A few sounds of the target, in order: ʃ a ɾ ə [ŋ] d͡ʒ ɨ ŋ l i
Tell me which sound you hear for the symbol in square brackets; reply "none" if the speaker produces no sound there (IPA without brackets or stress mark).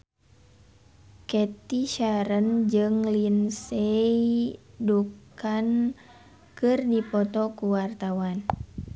n